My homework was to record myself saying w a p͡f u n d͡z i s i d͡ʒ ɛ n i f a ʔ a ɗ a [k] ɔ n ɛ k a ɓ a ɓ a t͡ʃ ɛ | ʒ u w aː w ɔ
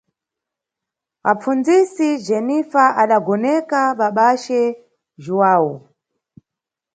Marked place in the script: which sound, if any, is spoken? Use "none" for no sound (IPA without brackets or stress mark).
ɡ